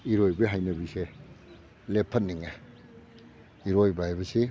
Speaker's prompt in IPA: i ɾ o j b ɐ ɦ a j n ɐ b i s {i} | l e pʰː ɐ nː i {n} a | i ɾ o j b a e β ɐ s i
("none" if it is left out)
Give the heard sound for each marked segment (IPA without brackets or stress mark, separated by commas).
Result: e, ŋ